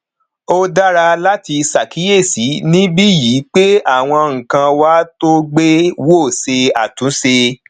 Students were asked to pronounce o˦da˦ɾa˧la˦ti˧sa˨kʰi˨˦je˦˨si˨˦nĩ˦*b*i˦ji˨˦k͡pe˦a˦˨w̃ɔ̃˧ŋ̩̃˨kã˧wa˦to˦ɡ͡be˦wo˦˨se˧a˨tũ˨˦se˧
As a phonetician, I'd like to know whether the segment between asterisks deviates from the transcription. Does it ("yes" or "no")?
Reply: no